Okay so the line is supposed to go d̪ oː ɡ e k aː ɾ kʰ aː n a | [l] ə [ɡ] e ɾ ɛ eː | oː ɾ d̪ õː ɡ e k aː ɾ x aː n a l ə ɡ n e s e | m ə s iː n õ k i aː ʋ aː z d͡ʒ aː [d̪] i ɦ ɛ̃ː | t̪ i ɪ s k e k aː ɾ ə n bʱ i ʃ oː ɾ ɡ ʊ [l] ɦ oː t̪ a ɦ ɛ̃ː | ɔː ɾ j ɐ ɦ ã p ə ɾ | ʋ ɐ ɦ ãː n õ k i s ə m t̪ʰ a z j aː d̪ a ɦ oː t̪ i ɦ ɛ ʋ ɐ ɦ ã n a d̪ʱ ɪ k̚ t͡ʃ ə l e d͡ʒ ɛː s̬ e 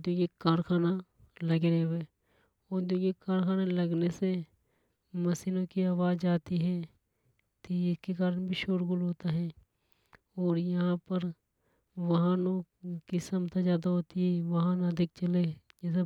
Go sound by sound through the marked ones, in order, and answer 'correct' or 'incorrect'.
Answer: correct, correct, incorrect: t̪, correct

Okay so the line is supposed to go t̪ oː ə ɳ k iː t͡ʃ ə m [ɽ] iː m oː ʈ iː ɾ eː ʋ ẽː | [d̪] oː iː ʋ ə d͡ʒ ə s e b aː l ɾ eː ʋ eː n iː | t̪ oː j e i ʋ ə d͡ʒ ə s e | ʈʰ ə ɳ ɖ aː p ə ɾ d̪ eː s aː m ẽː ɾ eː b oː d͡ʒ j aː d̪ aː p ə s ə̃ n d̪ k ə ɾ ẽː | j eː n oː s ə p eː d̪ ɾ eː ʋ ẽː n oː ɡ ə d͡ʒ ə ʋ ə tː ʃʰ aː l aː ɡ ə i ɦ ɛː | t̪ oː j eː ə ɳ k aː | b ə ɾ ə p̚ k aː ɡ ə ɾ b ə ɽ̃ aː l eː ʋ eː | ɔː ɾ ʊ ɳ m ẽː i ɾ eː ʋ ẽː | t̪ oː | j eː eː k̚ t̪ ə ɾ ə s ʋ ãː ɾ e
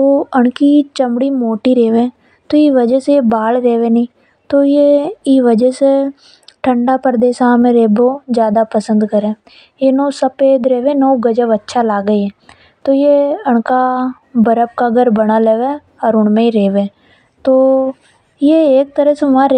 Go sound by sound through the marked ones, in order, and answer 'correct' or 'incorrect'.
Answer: correct, incorrect: t̪

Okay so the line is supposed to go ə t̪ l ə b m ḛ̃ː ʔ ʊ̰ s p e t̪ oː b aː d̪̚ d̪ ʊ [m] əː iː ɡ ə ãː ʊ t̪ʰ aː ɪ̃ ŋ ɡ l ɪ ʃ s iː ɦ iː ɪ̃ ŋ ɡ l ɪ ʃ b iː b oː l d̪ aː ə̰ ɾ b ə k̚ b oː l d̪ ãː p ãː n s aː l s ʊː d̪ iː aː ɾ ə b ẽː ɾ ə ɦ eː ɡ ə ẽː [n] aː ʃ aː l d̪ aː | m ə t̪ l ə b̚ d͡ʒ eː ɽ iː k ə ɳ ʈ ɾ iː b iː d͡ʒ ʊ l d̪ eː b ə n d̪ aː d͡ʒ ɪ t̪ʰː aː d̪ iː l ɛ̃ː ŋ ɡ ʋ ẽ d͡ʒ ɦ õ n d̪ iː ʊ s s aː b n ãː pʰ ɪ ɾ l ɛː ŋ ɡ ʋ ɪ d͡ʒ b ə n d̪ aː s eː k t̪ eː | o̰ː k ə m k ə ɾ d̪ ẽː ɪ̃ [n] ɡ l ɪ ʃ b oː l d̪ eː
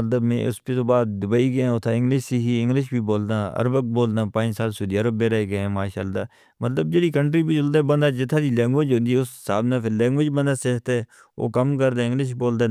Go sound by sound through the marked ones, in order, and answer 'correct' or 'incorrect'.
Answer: incorrect: b, incorrect: m, incorrect: ŋ

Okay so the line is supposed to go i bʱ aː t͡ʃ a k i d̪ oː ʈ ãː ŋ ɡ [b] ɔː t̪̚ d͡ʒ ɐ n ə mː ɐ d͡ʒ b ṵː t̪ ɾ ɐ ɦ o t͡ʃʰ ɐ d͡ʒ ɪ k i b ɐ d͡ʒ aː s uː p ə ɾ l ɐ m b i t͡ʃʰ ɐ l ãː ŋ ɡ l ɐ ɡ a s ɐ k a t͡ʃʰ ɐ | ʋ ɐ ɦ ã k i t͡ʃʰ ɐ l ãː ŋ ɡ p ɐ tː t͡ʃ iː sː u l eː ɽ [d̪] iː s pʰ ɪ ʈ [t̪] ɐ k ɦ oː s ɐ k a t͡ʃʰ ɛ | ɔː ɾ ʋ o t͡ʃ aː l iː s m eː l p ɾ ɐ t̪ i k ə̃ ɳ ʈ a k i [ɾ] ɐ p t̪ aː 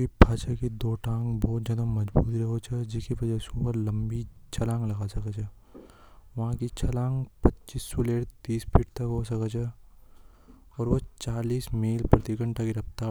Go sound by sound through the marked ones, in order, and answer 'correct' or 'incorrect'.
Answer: correct, incorrect: t̪, correct, correct

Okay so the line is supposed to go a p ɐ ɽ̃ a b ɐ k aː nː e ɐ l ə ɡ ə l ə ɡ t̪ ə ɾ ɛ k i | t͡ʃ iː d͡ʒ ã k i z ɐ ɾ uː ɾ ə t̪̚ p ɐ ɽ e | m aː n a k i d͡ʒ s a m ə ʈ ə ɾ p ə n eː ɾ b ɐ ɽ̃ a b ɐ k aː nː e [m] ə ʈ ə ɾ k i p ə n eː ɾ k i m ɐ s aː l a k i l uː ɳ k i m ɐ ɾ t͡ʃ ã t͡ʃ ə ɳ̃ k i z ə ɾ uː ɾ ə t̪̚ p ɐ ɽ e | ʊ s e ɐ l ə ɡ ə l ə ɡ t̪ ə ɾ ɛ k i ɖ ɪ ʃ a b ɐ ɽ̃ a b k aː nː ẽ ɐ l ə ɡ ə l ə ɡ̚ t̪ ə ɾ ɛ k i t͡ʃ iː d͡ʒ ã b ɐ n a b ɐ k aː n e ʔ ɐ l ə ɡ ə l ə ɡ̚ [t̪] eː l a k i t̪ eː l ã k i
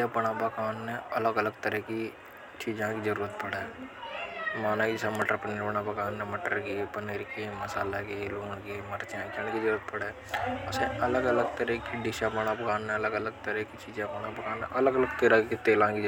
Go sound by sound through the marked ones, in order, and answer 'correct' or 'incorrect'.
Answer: correct, correct

